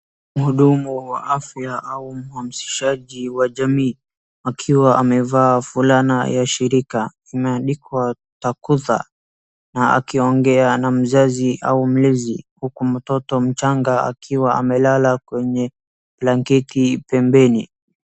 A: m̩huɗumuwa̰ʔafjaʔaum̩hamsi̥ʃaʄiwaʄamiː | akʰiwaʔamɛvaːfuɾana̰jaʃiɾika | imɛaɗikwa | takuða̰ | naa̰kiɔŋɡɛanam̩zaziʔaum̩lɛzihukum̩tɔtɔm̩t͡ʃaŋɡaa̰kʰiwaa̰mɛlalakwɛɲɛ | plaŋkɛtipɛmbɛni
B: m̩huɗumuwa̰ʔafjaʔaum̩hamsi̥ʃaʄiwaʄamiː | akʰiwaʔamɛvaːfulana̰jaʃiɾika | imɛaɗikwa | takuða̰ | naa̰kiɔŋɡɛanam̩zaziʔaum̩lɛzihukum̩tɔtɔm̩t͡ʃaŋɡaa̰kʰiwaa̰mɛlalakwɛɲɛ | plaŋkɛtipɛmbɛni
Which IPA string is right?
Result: B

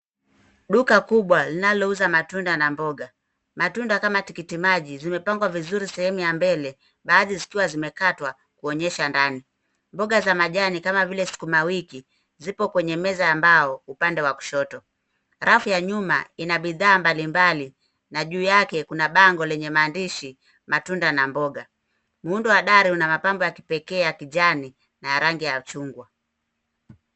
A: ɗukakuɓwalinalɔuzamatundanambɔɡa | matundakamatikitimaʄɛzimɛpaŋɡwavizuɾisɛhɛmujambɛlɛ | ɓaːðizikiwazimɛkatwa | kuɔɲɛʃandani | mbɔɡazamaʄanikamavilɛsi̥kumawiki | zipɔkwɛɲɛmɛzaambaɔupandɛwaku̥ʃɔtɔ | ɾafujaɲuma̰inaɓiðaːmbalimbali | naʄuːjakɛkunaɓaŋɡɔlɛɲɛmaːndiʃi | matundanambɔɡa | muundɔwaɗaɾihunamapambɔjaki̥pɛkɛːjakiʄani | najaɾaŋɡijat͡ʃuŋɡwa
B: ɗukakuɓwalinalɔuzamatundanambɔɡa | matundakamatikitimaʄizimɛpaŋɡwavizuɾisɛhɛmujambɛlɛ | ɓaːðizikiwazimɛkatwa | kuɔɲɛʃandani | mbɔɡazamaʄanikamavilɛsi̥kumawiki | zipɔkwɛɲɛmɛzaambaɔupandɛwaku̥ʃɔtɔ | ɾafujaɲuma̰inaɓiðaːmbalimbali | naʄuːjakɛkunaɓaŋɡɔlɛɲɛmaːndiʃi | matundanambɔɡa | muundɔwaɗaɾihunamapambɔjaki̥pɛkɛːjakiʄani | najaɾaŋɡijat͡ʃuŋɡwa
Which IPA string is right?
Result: B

